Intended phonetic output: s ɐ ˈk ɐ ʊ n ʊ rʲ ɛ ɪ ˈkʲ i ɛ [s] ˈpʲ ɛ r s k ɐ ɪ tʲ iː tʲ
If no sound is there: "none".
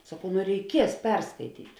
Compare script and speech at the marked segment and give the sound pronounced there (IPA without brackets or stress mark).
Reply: s